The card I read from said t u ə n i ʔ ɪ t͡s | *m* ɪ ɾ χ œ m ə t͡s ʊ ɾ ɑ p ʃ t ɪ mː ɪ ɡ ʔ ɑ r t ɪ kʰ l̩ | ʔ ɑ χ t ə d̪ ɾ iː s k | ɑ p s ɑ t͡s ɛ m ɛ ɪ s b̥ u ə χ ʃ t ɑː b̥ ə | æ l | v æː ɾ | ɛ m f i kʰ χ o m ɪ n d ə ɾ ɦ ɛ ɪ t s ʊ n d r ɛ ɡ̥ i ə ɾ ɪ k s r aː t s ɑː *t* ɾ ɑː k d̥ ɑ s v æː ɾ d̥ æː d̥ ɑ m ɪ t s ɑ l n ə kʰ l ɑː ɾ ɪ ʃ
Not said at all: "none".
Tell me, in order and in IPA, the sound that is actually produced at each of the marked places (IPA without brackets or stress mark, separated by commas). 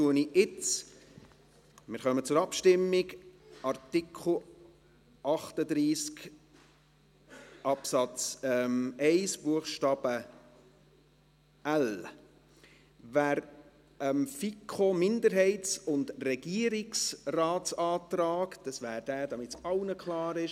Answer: m, t